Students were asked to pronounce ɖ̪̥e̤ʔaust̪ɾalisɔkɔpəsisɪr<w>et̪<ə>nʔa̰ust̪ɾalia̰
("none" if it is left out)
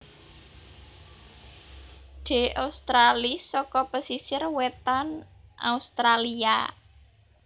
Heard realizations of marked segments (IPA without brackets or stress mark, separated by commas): w, a